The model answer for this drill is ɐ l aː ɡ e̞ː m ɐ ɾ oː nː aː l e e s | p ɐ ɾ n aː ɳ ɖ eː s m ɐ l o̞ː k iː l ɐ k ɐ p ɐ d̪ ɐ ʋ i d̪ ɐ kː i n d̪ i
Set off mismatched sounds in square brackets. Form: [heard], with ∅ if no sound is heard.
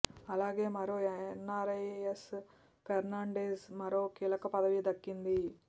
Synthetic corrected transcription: ɐ l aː ɡ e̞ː m ɐ ɾ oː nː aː [ɾ] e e s | [k] ɐ ɾ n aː ɳ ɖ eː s m ɐ [ɾ] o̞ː k iː l ɐ k ɐ p ɐ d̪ ɐ ʋ i d̪ ɐ kː i n d̪ i